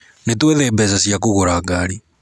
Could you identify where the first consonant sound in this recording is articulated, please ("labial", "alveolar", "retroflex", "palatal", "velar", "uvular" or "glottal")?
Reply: alveolar